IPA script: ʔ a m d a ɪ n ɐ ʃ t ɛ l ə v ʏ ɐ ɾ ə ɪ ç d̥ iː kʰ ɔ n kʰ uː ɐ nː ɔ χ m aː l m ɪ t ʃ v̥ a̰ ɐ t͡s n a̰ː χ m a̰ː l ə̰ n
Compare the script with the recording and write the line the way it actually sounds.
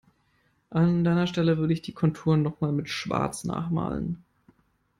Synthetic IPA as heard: ʔ a n d a ɪ n ɐ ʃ t ɛ l ə v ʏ ɐ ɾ ə ɪ ç d̥ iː kʰ ɔ n tʰ uː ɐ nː ɔ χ m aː l m ɪ t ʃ v̥ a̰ ɐ t͡s n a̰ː χ m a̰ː l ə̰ n

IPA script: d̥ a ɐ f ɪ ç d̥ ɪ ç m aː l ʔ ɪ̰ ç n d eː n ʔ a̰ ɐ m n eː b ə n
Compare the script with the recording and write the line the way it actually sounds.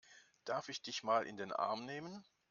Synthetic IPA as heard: d̥ a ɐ f ɪ ç d̥ ɪ ç m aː l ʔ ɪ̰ n d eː n ʔ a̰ ɐ m n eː m ə n

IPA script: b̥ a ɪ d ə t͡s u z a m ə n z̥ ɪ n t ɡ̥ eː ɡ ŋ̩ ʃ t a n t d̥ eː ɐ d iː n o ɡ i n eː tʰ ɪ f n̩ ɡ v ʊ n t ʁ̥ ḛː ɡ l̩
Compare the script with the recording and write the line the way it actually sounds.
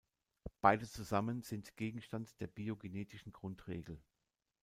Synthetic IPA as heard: b̥ a ɪ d ə t͡s u z a m ə n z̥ ɪ n t ɡ̥ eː ɡ ŋ̩ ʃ t a n t d̥ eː ɐ b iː o ɡ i n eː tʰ ɪ ʃ n̩ ɡ ʁ ʊ n t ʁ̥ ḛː ɡ l̩

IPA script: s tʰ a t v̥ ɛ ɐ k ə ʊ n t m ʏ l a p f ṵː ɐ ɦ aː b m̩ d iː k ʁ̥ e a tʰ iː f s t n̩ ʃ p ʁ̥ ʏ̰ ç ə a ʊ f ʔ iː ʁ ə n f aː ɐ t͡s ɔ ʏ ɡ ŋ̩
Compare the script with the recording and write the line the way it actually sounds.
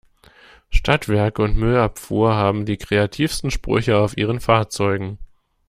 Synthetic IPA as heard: ʃ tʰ a t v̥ ɛ ɐ k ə ʊ n t m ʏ l a p f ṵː ɐ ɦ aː b m̩ d iː k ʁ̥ e a tʰ iː f s t n̩ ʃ p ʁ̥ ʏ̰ ç ə a ʊ f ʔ iː ʁ ə n f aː ɐ t͡s ɔ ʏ ɡ ŋ̩

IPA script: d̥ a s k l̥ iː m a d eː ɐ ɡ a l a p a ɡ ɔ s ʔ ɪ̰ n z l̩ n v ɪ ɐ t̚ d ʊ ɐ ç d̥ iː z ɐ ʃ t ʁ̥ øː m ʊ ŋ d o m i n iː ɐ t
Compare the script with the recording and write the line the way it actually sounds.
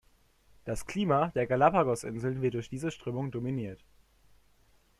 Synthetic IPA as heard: d̥ a s k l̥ iː m a d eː ɐ ɡ a l a p a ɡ ɔ s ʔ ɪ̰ n z l̩ n v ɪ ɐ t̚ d ʊ ɐ ç d̥ iː z ə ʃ t ʁ̥ øː m ʊ ŋ d o m i n iː ɐ t

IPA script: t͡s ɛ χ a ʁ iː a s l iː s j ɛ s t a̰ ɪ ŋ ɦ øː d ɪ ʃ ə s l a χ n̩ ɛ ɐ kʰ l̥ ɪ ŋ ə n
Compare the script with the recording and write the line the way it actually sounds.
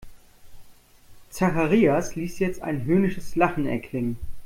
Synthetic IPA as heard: t͡s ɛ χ a ʁ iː a s l iː s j ɛ t͡s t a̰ ɪ n ɦ øː n ɪ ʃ ə s l a χ n̩ ɛ ɐ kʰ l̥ ɪ ŋ ə n

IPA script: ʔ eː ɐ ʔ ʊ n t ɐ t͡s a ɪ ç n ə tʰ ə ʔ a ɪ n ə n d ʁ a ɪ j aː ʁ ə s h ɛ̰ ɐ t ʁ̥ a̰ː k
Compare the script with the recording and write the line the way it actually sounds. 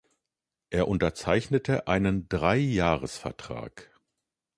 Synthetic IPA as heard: ʔ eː ɐ ʔ ʊ n t ɐ t͡s a ɪ ç n ə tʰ ə ʔ a ɪ n ə n d ʁ a ɪ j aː ʁ ə s f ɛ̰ ɐ t ʁ̥ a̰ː k

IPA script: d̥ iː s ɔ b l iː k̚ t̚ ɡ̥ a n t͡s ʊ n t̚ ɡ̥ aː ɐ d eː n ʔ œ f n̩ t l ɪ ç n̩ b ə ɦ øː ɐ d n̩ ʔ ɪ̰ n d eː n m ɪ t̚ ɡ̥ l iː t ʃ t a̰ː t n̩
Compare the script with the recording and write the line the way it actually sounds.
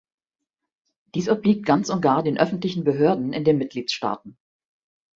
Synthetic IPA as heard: d̥ iː s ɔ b l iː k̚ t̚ ɡ̥ a n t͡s ʊ n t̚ ɡ̥ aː ɐ d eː n ʔ œ f n̩ t l ɪ ç n̩ b ə ɦ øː ɐ d n̩ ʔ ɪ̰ n d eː n m ɪ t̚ ɡ̥ l iː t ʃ t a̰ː t n̩

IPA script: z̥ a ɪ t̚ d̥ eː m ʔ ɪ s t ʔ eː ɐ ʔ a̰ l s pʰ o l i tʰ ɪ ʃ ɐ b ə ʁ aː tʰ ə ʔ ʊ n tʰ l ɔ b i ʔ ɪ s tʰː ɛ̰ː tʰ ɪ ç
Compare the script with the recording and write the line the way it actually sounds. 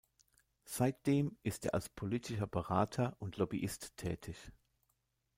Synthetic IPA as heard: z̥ a ɪ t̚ d̥ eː m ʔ ɪ s t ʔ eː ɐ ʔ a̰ l s pʰ o l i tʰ ɪ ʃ ɐ b ə ʁ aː tʰ ɐ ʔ ʊ n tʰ l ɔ b i ʔ ɪ s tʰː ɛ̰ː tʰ ɪ ç

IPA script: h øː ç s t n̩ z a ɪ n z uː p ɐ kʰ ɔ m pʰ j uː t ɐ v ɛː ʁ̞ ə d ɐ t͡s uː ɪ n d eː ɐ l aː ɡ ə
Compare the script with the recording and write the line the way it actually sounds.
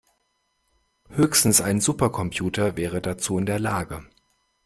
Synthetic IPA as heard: h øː ç s t n̩ s a ɪ n z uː p ɐ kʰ ɔ m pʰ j uː t ɐ v ɛː ʁ̞ ə d a t͡s uː ɪ n d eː ɐ l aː ɡ ə

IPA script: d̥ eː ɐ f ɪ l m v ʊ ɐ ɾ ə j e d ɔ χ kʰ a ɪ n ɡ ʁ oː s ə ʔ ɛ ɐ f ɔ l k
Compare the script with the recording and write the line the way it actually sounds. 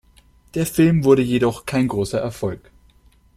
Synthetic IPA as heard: d̥ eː ɐ f ɪ l m v ʊ ɐ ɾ ə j e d ɔ χ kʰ a ɪ n ɡ ʁ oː s ɐ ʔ ɛ ɐ f ɔ l k

